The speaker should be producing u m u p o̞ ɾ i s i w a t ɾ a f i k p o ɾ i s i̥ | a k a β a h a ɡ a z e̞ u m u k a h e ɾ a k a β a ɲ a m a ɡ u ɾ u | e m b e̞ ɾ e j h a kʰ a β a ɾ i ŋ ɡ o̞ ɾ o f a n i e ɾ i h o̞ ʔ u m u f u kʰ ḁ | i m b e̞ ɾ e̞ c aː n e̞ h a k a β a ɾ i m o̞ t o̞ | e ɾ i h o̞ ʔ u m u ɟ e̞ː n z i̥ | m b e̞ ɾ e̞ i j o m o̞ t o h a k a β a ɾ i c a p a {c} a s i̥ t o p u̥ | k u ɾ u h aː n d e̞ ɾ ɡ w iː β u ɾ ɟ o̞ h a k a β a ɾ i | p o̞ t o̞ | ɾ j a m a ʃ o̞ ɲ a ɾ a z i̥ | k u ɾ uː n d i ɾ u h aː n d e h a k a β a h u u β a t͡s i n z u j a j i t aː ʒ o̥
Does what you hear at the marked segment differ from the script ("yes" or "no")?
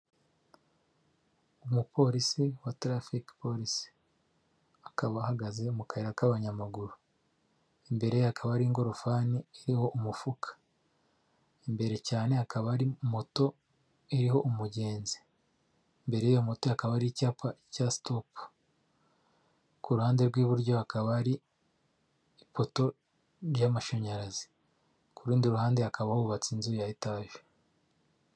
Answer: no